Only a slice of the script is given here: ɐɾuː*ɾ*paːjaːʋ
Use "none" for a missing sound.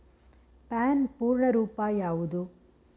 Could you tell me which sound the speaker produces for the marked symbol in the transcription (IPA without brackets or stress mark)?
none